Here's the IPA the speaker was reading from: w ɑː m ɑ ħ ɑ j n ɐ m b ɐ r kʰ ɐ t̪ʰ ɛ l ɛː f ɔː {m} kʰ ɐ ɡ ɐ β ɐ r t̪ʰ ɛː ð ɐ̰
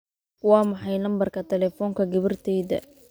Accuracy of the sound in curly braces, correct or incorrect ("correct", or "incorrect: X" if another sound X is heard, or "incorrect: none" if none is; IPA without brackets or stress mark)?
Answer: incorrect: ŋ